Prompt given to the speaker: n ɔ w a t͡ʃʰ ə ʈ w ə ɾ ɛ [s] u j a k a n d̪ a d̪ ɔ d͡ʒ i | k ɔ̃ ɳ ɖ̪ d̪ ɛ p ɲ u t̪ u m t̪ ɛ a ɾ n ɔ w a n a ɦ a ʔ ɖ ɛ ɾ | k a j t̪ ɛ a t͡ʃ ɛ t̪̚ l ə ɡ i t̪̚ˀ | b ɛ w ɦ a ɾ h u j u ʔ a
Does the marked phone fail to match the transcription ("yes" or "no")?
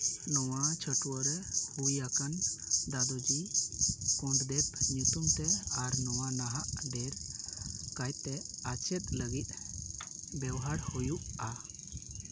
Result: yes